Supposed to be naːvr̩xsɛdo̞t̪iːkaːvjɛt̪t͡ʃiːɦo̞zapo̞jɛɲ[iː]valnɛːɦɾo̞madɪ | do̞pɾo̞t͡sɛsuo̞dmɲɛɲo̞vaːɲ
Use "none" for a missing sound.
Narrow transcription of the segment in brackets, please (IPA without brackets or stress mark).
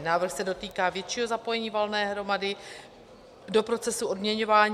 iː